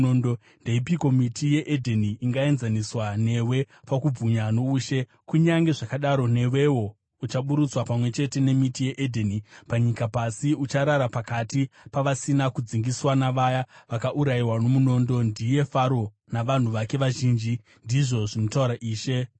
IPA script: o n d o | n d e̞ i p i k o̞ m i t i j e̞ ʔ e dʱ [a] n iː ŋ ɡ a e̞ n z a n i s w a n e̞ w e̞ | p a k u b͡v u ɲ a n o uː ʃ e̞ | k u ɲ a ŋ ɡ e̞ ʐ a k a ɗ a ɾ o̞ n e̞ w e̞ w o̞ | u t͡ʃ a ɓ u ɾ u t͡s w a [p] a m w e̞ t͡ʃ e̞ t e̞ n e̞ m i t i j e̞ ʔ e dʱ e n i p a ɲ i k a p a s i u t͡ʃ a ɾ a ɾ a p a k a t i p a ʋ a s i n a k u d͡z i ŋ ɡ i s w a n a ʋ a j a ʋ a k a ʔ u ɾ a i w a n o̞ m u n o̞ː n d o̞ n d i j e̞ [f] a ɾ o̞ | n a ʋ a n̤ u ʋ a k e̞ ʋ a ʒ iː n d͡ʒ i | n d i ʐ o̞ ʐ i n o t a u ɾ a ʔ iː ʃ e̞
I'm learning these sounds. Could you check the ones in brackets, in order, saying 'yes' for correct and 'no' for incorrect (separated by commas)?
no, yes, yes